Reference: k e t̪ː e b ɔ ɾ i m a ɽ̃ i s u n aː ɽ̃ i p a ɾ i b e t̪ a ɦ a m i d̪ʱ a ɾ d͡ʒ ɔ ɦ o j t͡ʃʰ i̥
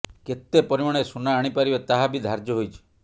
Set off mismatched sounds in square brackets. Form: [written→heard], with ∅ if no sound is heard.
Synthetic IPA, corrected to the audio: k e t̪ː e [b→p] ɔ ɾ i m a ɽ̃ [i→e] s u n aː ɽ̃ i p a ɾ i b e t̪ a ɦ a [m→b] i d̪ʱ a ɾ d͡ʒ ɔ ɦ o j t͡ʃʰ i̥